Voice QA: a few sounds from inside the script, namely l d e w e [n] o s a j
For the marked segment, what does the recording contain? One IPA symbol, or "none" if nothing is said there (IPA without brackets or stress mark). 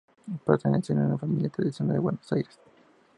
n